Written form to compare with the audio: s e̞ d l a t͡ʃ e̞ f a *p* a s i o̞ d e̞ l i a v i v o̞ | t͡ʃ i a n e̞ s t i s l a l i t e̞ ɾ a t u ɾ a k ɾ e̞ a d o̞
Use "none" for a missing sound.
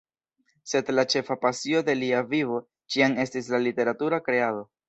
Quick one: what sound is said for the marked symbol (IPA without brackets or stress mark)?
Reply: p